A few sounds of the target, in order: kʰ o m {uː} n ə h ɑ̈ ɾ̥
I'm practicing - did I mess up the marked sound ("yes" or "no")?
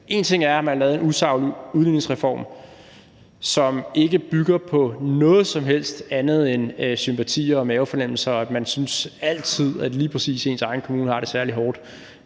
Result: no